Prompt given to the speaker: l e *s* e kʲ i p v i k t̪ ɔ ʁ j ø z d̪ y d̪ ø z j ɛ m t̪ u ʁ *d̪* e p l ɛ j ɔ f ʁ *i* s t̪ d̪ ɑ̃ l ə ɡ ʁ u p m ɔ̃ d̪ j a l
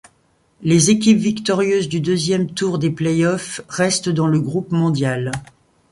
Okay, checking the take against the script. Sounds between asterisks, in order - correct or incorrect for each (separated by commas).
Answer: incorrect, correct, incorrect